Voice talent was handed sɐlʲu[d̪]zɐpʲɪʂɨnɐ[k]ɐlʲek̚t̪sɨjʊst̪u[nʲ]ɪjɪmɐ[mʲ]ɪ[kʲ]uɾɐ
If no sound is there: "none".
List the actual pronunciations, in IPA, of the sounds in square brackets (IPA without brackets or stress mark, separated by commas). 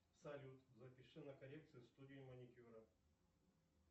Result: t̪, k, dʲ, nʲ, kʲ